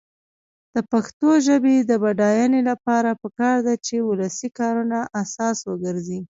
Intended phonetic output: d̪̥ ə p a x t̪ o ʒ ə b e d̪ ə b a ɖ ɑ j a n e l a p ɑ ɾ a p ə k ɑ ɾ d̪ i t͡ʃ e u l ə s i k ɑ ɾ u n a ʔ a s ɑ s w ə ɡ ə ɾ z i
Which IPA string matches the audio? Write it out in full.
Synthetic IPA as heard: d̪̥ ə p a x t̪ o ʒ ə b e d̪ ə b a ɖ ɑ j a n e l a p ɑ ɾ a p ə k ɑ ɾ d̪ a t͡ʃ e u l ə s i k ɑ ɾ u n a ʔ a s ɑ s w ə ɡ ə ɾ z i